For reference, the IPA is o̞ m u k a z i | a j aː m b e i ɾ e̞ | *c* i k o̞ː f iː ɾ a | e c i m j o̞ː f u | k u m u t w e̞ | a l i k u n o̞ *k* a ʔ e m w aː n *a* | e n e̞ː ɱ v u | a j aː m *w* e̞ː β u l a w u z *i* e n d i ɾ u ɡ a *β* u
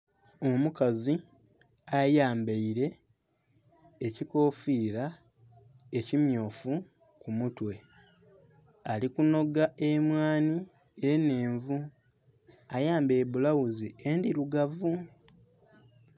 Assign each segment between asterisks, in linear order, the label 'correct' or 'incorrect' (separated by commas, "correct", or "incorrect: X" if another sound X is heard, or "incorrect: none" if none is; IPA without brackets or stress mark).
correct, incorrect: ɡ, incorrect: i, incorrect: b, correct, incorrect: v